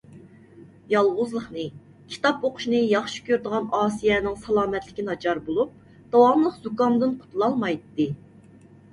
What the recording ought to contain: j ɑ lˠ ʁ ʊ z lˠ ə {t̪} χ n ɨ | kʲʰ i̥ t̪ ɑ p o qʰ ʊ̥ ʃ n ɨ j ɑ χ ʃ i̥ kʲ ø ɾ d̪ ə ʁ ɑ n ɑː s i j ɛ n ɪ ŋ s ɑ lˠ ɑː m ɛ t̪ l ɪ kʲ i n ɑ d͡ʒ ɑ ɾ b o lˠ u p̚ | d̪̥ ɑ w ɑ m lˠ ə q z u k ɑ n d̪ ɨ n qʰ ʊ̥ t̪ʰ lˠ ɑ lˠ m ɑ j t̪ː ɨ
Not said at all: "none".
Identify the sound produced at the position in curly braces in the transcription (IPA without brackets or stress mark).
none